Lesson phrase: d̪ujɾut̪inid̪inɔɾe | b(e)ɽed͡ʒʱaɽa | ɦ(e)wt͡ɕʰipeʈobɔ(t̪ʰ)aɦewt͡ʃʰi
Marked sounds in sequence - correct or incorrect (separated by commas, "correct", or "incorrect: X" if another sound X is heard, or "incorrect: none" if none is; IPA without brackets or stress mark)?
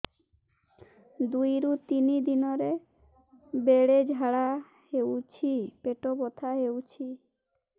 correct, correct, correct